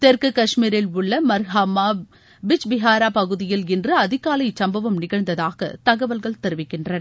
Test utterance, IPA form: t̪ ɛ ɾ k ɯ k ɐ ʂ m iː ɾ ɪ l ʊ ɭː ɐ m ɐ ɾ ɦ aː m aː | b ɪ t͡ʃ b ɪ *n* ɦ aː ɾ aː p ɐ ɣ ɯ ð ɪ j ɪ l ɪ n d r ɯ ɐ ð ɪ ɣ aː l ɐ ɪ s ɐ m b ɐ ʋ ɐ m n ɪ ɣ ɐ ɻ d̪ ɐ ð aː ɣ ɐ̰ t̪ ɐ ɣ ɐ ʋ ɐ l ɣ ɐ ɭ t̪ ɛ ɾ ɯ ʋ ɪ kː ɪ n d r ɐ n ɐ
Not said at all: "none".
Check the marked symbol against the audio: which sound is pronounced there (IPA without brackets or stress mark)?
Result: none